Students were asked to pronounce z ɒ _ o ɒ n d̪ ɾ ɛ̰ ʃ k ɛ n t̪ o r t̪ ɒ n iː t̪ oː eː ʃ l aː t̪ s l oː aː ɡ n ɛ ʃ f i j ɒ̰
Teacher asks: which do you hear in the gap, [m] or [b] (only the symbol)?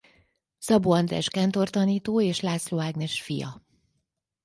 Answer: b